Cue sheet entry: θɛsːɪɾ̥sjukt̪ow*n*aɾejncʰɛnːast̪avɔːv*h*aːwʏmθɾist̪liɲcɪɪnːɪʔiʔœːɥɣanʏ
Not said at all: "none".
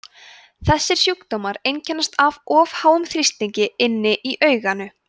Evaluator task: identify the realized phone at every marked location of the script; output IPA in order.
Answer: m, h

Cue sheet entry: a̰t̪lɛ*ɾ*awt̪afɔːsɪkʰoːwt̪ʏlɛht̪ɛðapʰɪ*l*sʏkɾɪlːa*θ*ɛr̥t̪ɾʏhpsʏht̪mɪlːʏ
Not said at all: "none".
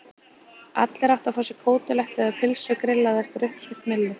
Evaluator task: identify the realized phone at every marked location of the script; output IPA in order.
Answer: ɾ, l, ð

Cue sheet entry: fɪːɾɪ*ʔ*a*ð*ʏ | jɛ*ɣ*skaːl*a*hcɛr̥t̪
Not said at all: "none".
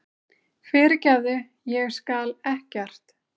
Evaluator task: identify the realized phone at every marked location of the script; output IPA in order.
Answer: c, ð, ɣ, ɛ

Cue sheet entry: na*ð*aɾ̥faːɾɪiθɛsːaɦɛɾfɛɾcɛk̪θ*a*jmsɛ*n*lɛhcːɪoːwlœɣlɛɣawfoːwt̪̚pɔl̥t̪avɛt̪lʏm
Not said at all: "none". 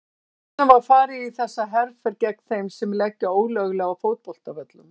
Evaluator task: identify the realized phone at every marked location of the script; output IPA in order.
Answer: v, e, m

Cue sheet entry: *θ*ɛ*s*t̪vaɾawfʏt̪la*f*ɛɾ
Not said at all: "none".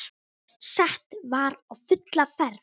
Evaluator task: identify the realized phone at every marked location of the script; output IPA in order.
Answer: s, h, f

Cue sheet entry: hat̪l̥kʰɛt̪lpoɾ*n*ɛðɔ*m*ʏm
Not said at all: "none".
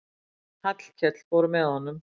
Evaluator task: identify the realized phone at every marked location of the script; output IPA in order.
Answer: m, n

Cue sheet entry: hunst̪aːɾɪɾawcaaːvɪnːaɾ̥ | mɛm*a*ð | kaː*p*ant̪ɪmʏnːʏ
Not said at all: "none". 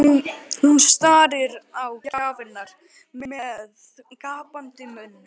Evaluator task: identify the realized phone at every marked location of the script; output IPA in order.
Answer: ɛ, p

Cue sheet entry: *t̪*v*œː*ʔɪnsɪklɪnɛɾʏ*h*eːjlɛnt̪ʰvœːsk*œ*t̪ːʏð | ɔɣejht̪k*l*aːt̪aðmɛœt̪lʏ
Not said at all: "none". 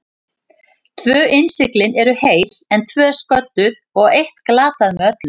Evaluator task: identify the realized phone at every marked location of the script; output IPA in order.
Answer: t̪ʰ, œː, h, œ, l

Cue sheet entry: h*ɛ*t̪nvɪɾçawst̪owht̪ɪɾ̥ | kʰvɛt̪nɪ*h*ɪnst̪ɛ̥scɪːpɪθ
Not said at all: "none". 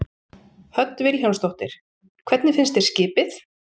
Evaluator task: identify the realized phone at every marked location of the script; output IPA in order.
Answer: œ, f

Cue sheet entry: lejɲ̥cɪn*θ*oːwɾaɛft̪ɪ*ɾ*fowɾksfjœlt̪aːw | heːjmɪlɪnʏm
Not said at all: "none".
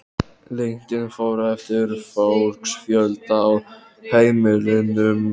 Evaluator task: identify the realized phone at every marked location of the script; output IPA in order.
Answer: f, ɾ

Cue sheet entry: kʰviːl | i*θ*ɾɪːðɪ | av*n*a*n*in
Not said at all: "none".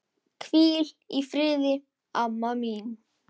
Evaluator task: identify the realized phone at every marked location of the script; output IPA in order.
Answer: f, m, m

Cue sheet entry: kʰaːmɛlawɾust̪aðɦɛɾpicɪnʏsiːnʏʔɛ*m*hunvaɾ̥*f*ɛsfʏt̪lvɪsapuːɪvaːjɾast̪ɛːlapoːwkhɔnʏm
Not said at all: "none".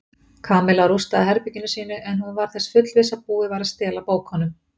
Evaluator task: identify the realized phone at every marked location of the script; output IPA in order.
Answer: n, θ

